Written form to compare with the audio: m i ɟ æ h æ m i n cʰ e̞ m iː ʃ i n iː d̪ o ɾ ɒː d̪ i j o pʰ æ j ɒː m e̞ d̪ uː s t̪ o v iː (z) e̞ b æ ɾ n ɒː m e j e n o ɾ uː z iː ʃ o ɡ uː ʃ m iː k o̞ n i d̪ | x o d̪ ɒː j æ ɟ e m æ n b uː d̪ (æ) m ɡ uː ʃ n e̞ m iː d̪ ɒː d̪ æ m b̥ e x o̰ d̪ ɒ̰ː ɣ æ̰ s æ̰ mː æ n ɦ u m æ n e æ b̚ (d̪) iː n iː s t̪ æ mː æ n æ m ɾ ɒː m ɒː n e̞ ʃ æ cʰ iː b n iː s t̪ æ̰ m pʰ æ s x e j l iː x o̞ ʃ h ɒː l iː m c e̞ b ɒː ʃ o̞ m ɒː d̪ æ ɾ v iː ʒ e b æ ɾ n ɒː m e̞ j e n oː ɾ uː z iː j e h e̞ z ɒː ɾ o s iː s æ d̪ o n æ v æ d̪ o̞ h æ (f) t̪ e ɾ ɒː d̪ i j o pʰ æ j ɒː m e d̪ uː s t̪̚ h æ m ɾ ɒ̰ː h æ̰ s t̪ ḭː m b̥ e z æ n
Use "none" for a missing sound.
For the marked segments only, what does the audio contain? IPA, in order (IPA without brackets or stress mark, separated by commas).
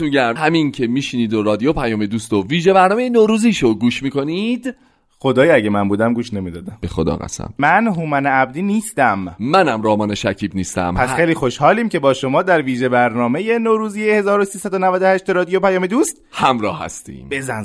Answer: ʒ, æ, d̪, ʃ